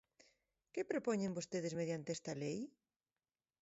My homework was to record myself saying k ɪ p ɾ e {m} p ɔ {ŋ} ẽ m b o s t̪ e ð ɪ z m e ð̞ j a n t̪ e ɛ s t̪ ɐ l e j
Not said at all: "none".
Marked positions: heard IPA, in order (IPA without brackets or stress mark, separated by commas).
none, ɲ